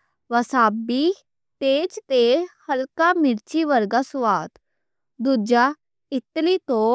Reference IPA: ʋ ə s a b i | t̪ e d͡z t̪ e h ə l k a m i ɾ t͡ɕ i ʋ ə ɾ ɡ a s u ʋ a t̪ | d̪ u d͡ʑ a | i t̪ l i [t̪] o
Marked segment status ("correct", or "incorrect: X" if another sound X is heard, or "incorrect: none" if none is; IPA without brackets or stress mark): correct